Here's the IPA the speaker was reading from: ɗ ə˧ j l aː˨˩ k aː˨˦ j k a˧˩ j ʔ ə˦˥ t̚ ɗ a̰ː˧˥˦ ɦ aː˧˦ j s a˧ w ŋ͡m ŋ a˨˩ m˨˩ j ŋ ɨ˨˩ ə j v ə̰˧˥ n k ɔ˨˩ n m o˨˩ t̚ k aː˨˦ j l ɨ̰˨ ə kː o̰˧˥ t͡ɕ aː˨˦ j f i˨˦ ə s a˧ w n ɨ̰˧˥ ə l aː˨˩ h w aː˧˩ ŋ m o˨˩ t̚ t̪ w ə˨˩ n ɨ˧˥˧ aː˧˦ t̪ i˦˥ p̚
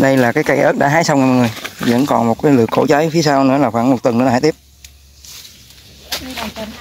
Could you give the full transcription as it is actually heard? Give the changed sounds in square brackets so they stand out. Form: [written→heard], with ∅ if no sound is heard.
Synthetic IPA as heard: ɗ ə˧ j l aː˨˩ k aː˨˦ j k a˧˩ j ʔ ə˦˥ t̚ ɗ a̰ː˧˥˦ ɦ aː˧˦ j s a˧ w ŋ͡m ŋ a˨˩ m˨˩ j ŋ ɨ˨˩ ə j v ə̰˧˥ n k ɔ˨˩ n m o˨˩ t̚ k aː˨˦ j l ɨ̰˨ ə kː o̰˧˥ t͡ɕ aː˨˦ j f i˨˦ ə s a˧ w n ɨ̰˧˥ ə l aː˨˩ [h→x] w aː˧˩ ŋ m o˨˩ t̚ t̪ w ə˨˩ n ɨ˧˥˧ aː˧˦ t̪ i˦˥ p̚